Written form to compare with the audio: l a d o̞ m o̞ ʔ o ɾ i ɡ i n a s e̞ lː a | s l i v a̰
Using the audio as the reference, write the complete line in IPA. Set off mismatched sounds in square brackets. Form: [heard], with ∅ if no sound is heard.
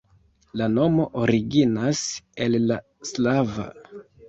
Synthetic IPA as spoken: l a [n] o̞ m o̞ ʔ o ɾ i ɡ i n a s e̞ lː a | s l [a] v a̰